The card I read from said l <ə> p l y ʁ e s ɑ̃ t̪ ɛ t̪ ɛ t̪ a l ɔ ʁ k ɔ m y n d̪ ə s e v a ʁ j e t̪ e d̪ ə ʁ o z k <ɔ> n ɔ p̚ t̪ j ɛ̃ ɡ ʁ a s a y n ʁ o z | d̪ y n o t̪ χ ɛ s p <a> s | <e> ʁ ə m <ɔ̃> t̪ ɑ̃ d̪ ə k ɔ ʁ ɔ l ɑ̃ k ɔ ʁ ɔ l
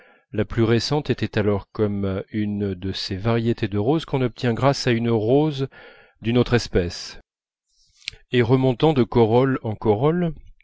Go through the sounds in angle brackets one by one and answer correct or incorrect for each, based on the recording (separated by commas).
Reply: incorrect, incorrect, incorrect, correct, correct